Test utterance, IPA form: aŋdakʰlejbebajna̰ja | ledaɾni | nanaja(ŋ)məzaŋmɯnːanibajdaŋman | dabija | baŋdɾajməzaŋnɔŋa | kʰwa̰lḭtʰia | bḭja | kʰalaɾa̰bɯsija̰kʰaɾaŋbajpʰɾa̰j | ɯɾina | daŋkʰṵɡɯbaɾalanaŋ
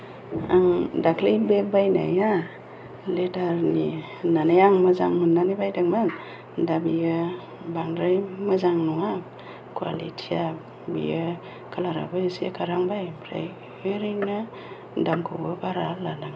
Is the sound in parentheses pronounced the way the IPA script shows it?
yes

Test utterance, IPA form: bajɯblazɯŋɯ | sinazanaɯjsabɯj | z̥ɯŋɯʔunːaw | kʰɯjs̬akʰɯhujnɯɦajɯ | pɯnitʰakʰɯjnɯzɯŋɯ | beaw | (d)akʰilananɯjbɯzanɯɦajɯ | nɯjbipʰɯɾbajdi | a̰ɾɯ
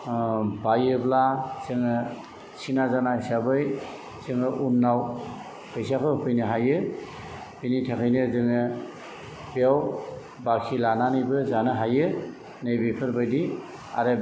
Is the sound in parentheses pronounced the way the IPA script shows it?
no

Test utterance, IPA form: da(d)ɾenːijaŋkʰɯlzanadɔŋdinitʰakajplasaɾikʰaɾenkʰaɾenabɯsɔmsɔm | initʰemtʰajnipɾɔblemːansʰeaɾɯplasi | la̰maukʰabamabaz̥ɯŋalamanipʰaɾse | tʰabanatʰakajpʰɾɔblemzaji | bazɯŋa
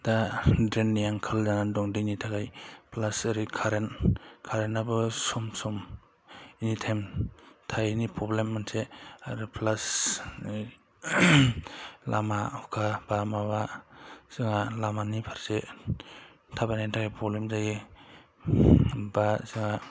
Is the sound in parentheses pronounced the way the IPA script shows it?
yes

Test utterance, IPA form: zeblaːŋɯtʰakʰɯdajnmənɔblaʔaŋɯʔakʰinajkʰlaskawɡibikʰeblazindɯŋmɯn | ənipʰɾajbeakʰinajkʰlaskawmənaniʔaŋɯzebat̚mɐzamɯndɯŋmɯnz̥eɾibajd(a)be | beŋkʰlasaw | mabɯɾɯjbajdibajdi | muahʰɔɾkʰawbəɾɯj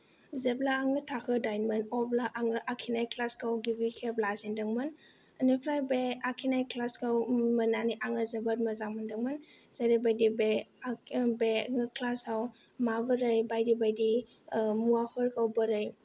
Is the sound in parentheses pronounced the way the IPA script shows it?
no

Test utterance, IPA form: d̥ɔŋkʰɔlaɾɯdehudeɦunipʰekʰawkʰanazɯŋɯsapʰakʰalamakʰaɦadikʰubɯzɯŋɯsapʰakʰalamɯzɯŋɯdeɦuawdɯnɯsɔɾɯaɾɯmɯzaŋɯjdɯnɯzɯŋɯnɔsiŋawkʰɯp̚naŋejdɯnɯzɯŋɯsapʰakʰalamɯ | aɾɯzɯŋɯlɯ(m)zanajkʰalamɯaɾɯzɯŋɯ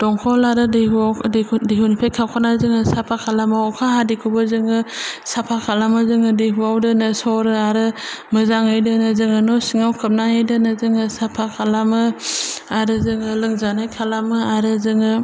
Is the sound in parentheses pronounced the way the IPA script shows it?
no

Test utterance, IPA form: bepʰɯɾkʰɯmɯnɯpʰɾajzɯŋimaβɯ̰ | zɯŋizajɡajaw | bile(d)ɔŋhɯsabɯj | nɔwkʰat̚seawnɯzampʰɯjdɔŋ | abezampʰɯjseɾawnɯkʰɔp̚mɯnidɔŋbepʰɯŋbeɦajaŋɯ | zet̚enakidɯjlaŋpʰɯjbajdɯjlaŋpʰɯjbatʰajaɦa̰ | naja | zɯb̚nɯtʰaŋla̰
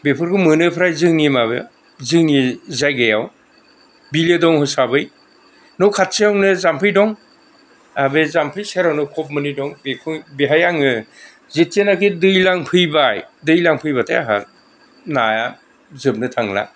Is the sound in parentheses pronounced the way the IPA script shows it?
yes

